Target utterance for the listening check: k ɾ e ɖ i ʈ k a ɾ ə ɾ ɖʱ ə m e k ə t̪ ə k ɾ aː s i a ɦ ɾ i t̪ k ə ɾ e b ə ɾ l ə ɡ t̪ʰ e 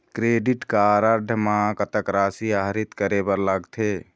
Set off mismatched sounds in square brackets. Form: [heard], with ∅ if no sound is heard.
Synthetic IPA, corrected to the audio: k ɾ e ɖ i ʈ k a ɾ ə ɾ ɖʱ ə m [a] k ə t̪ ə k ɾ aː s i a ɦ ɾ i t̪ k ə ɾ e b ə ɾ l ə ɡ t̪ʰ e